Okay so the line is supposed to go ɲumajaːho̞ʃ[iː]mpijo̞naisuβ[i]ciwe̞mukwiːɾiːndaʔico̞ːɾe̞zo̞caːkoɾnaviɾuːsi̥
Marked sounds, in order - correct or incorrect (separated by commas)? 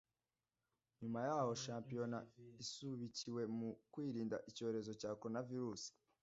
incorrect, correct